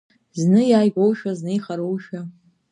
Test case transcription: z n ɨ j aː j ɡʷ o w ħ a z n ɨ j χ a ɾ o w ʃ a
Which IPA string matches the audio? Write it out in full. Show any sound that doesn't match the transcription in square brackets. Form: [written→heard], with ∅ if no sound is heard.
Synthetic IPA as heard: z n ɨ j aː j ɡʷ o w [ħ→ʃ] a z n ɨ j χ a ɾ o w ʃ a